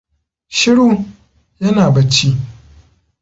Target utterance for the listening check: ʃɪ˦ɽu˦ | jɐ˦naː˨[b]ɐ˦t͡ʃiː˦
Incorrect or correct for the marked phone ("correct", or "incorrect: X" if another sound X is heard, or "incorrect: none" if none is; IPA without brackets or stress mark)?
correct